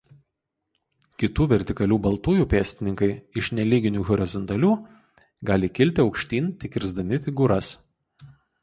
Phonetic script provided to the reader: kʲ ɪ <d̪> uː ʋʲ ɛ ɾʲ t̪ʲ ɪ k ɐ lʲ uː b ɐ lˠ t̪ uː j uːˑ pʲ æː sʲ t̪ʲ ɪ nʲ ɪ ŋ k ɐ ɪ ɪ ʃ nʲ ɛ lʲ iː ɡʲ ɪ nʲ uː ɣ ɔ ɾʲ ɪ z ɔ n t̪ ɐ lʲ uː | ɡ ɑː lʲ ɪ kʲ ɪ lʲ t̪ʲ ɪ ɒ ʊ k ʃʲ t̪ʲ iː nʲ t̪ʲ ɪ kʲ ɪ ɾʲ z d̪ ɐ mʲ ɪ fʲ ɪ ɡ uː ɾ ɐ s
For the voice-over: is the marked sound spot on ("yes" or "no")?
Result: no